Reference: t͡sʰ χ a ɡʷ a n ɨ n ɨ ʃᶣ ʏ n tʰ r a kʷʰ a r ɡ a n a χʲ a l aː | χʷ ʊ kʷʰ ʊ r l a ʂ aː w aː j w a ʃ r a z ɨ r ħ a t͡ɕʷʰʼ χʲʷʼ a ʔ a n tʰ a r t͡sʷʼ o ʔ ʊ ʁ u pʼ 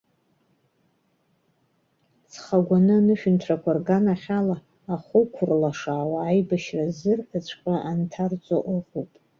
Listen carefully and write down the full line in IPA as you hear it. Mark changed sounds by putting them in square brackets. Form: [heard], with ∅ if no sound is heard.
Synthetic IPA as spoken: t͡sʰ χ a ɡʷ a n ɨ n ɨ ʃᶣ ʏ n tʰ r a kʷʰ a r ɡ a n a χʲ a l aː | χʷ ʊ kʷʰ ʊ r l a ʂ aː w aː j [b] a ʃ r a z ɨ r ħ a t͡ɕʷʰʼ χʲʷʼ a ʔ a n tʰ a r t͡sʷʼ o ʔ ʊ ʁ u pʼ